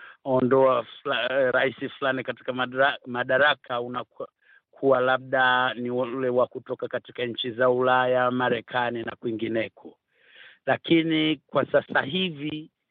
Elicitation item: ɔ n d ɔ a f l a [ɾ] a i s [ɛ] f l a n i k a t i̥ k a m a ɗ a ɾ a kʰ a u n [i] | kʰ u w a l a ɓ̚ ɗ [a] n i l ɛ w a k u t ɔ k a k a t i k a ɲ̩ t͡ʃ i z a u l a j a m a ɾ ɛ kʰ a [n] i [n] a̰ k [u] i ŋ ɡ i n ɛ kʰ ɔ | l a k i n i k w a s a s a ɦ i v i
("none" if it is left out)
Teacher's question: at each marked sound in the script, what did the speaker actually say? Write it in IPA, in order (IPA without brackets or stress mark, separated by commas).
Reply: ɾ, i, a, a, n, n, w